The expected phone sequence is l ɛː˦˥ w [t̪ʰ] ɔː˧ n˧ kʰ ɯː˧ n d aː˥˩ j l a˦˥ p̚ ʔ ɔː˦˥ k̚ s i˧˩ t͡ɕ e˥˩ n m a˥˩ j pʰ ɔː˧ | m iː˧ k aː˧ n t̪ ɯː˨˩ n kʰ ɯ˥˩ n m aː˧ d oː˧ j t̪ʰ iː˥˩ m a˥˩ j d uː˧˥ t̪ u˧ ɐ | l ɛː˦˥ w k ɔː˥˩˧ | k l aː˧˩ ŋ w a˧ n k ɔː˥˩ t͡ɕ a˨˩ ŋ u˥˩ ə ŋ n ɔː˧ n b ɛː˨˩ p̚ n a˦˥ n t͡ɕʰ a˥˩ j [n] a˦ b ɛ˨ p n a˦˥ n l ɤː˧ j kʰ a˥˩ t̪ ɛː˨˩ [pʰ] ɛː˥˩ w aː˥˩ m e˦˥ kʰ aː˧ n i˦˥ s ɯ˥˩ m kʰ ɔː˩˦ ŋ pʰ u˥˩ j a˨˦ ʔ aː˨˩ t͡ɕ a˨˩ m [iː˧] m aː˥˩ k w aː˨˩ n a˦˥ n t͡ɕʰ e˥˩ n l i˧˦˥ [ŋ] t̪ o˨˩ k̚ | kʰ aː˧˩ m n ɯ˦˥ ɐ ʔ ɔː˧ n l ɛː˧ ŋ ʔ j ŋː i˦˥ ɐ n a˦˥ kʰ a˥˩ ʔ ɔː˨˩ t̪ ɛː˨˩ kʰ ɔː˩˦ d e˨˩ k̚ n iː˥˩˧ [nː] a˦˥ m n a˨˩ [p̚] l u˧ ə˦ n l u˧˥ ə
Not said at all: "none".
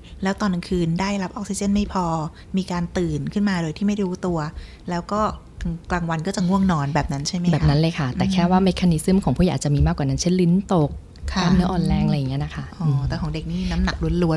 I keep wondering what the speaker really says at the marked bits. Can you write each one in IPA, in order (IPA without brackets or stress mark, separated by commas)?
t̪, m, kʰ, iː˧, n, n, k̚